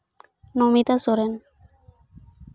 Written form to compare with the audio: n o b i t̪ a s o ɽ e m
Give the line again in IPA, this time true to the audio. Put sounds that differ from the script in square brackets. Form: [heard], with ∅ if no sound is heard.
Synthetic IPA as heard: n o [m] i t̪ a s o [ɾ] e [n]